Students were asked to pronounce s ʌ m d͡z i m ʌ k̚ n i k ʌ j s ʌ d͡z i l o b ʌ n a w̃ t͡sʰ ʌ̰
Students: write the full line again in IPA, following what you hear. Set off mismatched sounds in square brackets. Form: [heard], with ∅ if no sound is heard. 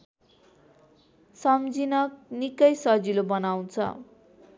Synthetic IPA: s ʌ m d͡z i [n] ʌ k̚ n i k ʌ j s ʌ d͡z i l o b ʌ n a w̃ t͡sʰ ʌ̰